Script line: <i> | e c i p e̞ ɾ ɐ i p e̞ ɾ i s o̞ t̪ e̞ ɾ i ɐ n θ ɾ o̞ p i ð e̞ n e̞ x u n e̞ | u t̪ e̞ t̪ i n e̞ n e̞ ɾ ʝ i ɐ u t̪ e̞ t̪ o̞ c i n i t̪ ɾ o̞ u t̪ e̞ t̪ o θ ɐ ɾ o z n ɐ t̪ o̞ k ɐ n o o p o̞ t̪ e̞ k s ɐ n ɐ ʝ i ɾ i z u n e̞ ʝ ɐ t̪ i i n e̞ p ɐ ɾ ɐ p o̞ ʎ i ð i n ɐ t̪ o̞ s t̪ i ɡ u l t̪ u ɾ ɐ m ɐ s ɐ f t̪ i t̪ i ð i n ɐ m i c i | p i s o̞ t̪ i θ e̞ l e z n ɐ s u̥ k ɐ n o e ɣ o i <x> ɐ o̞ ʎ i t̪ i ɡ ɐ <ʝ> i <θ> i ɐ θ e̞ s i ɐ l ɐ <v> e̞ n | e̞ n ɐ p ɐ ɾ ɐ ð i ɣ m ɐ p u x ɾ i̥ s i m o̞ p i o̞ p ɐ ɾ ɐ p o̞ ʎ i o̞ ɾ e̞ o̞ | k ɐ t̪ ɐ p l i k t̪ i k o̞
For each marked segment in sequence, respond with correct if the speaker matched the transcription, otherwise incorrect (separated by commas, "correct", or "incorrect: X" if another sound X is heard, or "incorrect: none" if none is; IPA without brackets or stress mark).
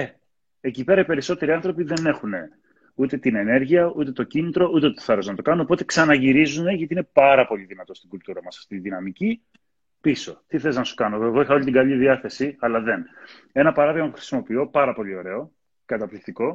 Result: incorrect: e, correct, incorrect: ʎ, incorrect: ð, incorrect: ð